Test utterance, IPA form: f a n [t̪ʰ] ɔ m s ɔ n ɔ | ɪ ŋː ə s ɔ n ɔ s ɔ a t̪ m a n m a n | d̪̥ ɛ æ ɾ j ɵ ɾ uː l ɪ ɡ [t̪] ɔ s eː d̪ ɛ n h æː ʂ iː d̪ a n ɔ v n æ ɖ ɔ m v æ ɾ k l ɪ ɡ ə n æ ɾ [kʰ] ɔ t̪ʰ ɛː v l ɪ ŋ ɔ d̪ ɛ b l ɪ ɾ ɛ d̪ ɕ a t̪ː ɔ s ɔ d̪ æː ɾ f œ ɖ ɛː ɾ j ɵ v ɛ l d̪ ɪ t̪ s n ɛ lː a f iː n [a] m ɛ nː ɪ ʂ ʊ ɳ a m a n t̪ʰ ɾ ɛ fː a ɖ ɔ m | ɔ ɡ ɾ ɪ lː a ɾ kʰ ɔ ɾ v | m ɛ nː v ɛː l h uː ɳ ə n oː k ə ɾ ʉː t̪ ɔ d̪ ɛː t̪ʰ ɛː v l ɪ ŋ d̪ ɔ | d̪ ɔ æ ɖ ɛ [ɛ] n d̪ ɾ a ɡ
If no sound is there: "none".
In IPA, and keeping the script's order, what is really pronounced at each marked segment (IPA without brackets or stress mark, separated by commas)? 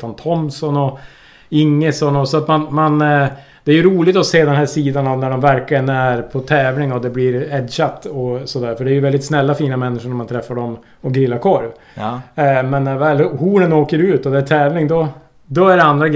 t̪ʰ, t̪, pʰ, a, a